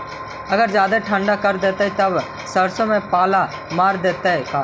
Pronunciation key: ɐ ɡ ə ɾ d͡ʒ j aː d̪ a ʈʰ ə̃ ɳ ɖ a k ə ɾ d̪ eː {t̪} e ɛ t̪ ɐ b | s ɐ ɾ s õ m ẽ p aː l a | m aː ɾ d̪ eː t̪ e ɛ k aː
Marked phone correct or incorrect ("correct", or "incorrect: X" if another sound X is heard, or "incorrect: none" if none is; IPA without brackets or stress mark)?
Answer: correct